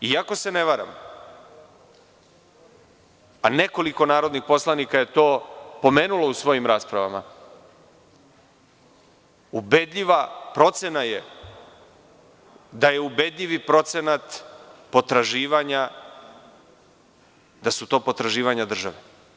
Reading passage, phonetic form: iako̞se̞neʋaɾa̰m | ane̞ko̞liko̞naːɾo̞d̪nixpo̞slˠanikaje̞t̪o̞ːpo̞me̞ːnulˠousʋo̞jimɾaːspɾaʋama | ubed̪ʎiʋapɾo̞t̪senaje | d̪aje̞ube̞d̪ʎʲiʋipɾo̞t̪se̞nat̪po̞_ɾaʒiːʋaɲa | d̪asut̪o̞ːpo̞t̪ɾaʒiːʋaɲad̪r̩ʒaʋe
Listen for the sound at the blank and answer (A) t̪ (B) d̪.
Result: A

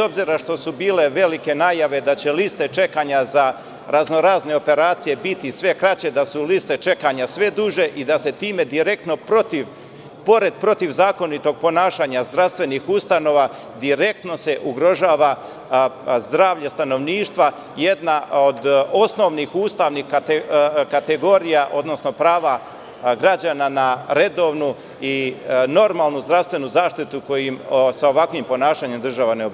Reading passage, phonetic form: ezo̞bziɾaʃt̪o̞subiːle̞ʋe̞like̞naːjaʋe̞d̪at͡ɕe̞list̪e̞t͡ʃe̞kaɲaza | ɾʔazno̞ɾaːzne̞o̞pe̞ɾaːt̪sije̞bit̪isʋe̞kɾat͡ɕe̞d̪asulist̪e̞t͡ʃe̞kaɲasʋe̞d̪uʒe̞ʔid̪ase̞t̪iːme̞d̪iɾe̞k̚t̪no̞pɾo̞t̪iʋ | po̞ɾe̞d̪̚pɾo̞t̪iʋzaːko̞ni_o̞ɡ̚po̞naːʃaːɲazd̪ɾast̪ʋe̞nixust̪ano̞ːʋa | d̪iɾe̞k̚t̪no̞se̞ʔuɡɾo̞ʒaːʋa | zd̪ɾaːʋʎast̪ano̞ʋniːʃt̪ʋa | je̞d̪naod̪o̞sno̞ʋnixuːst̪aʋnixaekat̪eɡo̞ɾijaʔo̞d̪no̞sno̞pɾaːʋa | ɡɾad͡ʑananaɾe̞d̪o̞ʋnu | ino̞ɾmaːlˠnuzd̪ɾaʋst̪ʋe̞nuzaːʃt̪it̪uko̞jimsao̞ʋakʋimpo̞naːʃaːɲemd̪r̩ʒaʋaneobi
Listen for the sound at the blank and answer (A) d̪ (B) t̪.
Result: B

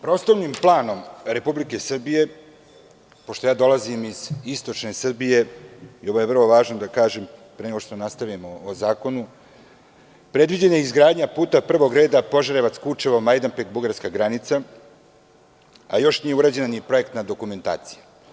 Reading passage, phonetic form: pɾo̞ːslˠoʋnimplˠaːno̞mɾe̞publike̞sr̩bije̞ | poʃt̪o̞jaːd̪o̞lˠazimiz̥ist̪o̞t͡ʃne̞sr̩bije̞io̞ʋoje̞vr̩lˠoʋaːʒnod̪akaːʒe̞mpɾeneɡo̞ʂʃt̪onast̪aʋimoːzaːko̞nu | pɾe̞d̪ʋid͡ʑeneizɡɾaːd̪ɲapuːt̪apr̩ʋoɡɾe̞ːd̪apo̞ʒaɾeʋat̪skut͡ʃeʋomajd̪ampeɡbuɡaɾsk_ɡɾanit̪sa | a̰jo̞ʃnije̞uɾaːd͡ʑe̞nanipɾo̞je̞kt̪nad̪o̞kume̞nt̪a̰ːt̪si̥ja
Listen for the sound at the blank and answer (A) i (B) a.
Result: B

